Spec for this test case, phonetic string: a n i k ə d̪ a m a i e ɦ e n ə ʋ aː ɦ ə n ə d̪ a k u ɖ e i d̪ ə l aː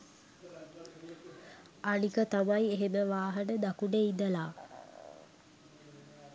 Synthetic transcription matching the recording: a n i k ə t̪ a m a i e ɦ e m ə ʋ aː ɦ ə n ə d̪ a k u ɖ e i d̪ ə l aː